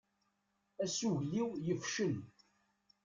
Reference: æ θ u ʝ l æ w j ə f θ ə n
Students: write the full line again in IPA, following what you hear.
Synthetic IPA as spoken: æ s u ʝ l i w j ə f ʃ ə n

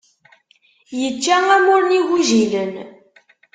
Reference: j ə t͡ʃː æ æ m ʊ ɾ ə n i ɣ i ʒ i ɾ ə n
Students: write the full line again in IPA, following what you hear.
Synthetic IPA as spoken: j ə t͡ʃː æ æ m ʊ ɾ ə n i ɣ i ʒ i l ə n

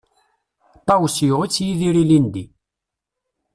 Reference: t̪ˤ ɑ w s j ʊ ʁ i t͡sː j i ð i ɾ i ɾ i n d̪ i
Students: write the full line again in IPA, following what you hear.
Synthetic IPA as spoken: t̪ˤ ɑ w s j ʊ ʁ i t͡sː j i ð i ɾ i l i n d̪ i

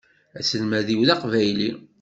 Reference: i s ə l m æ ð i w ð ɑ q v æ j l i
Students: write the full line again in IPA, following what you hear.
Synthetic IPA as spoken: æ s ə l m æ ð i w ð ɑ q v æ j l i

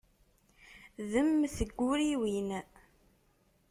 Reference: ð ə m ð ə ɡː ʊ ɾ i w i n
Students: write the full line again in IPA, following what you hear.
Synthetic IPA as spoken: ð ə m θ ə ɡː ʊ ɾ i w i n

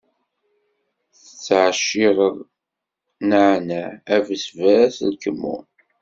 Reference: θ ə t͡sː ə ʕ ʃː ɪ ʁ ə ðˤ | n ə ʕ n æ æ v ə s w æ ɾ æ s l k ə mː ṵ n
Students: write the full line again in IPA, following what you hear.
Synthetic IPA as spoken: θ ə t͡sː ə ʕ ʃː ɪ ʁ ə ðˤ | n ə ʕ n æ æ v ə s v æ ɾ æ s l k ə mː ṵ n

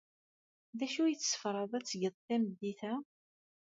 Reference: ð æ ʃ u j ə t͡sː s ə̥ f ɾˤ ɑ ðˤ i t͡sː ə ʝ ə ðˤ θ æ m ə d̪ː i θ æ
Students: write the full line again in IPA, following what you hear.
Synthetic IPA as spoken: ð æ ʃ u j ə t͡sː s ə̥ f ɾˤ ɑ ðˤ æ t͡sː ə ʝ ə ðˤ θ æ m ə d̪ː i θ æ

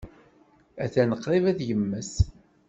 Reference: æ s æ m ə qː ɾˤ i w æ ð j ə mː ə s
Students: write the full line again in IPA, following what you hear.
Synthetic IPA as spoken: æ θ æ n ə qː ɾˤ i v æ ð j ə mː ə s

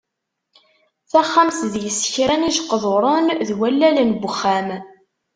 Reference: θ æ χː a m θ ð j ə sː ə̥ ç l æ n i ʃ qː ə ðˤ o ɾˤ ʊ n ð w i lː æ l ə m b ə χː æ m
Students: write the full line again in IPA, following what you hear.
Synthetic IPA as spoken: θ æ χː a m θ ð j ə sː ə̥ ç ɾ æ n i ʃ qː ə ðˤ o ɾˤ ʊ n ð w æ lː æ l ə n b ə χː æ m

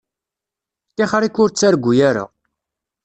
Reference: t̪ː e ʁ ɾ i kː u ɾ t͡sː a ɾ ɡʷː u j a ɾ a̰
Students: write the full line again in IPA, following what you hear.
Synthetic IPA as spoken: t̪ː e χ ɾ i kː ʊ ɾ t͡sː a ɾ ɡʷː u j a ɾ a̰

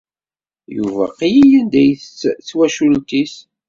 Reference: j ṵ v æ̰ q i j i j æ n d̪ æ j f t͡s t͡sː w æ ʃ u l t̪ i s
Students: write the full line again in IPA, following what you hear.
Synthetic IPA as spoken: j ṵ v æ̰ q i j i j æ n d̪ æ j θ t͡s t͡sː w æ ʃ u l t̪ i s

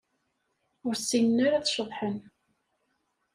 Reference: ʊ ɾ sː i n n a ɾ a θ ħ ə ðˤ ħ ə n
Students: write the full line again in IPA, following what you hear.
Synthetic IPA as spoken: ʊ ɾ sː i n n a ɾ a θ ʃ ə ðˤ ħ ə n

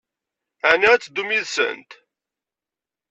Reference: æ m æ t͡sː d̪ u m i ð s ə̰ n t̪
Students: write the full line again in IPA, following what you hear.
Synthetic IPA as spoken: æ n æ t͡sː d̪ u m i ð s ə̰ n t̪

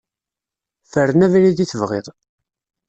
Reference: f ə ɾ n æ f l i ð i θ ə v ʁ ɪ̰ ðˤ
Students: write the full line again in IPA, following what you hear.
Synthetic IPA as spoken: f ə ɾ n æ v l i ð i θ ə v ʁ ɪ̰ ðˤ

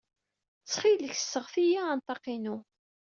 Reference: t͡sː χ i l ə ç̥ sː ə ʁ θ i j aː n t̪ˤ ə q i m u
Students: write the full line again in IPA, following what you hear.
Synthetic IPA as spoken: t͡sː χ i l ə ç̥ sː ə ʁ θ i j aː n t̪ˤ ɑ q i n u

